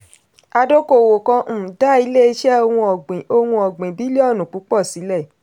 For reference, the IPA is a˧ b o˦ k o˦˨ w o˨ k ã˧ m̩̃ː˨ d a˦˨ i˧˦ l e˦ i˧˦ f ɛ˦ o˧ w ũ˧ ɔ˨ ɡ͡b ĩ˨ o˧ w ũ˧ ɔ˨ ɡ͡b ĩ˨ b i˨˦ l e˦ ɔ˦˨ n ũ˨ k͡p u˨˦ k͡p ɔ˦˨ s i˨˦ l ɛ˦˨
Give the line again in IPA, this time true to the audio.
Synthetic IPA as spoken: a˧ d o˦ k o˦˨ w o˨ k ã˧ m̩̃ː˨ d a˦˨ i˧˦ l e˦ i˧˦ ʃ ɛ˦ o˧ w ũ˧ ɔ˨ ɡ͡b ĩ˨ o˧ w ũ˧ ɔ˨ ɡ͡b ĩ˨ b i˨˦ l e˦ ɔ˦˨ n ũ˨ k͡p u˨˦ k͡p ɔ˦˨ s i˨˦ l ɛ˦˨